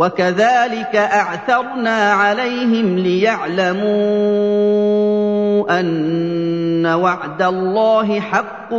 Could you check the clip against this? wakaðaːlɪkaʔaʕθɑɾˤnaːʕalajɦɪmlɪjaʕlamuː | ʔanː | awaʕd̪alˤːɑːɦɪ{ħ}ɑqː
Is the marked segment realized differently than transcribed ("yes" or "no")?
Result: no